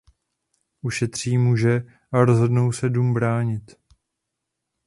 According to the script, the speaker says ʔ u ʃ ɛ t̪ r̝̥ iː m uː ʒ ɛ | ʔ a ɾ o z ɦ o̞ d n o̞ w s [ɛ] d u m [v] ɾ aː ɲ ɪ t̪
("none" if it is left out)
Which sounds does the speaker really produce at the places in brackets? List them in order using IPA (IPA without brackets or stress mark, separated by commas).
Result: ɛ, b